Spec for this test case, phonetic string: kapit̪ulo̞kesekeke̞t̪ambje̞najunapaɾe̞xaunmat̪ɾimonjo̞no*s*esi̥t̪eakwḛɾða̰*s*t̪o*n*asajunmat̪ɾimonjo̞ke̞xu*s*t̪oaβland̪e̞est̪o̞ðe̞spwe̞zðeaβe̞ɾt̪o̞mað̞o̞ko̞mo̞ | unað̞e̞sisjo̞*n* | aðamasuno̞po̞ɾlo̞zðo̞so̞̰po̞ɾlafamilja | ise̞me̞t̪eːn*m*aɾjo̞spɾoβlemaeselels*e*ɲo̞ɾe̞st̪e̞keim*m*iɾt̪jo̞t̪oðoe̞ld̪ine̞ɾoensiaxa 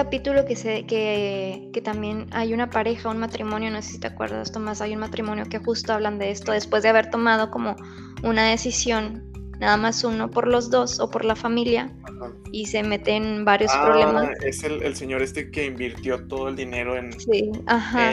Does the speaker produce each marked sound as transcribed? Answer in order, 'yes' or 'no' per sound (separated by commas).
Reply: yes, yes, no, yes, no, no, yes, no